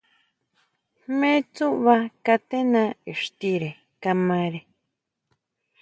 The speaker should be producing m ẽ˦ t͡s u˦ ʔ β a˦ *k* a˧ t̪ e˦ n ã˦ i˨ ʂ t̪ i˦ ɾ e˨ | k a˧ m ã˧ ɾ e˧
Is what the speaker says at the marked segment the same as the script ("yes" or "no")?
yes